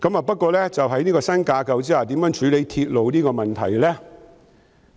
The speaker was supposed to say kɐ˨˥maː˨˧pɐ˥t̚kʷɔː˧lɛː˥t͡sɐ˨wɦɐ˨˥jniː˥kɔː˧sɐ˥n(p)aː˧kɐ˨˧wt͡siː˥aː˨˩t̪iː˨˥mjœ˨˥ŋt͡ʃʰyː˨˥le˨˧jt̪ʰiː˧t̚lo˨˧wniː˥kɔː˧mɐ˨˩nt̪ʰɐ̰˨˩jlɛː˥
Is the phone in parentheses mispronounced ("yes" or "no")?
yes